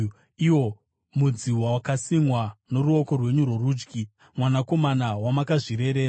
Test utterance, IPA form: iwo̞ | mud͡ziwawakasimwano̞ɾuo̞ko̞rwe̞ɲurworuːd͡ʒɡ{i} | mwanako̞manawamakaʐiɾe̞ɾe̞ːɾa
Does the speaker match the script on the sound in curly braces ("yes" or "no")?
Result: yes